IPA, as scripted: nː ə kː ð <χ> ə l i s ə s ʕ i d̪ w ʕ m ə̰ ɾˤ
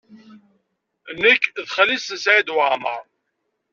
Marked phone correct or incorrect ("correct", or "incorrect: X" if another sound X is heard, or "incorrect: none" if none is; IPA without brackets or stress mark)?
correct